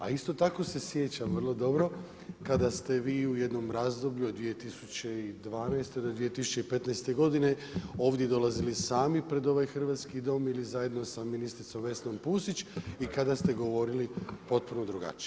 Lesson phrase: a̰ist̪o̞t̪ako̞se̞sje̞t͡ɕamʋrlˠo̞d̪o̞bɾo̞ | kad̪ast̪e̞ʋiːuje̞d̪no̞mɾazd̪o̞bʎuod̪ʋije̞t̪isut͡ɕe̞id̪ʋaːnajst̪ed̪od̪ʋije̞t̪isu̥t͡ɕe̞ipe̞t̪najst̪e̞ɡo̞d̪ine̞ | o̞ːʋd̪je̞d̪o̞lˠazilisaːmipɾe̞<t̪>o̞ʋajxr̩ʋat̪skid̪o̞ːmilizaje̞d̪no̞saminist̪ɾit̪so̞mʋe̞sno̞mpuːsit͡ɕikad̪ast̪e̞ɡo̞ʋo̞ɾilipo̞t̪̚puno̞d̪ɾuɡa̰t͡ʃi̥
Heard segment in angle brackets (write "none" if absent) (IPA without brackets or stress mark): d̪